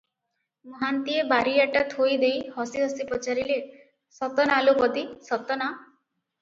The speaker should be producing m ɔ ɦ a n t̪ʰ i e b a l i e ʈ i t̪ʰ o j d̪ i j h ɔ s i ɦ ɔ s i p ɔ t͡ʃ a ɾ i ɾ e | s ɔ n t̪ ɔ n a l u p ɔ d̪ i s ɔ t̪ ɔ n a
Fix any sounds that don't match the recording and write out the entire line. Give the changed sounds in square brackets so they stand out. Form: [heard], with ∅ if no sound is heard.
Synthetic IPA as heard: m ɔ ɦ a n [t̪] i e b a [ɾ] i [a] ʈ [a] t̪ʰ o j d̪ [e] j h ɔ s i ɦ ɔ s i p ɔ t͡ʃ a ɾ i [l] e | s ɔ [∅] t̪ ɔ n a l u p ɔ d̪ i s ɔ t̪ ɔ n a

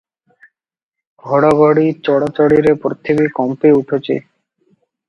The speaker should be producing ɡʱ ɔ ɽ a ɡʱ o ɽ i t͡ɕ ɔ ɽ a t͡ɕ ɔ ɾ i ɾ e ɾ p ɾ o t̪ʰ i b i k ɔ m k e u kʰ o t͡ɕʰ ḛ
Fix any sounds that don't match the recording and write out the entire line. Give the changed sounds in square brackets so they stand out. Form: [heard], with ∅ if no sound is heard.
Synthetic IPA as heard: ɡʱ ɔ ɽ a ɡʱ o ɽ i t͡ɕ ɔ ɽ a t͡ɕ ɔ [ɽ] i ɾ e [∅] p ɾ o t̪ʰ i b i k ɔ m [p] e u [ʈʰ] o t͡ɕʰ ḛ

